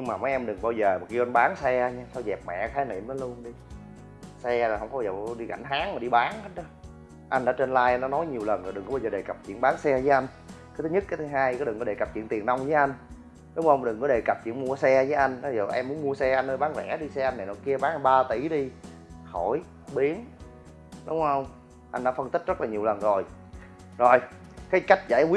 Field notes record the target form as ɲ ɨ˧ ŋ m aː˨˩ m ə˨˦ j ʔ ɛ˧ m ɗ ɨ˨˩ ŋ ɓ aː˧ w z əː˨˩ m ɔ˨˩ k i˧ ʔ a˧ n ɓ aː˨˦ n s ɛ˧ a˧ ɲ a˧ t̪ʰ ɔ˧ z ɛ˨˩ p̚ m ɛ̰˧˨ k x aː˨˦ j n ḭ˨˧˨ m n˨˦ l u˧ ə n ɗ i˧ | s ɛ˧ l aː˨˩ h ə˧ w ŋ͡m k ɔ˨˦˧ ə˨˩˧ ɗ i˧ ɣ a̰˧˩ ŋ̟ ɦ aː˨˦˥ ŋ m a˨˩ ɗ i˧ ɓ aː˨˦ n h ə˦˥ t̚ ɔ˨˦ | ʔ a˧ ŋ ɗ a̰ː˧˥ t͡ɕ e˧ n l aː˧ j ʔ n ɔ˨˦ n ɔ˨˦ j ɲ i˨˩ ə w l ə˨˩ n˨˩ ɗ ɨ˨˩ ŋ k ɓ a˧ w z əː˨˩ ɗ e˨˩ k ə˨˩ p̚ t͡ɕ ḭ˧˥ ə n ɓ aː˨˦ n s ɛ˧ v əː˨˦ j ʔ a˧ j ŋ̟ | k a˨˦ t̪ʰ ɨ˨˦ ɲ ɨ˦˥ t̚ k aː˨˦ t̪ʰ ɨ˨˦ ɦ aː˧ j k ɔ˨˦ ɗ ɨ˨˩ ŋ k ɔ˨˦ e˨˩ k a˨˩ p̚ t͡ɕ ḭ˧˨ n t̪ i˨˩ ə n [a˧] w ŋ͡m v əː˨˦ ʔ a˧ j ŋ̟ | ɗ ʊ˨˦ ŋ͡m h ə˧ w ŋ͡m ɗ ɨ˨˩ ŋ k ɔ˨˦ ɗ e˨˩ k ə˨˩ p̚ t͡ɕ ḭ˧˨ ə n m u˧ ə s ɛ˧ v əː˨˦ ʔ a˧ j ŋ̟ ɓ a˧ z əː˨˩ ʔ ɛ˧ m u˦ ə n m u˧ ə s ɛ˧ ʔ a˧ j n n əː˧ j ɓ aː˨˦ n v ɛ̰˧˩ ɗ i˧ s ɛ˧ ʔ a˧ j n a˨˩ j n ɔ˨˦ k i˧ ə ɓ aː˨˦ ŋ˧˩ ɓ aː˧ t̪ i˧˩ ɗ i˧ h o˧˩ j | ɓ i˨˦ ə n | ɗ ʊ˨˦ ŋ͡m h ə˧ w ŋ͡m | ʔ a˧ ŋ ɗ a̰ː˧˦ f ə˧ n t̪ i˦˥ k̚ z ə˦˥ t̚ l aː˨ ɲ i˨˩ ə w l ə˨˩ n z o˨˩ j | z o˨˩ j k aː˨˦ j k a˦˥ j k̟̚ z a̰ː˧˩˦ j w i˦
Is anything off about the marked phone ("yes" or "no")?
no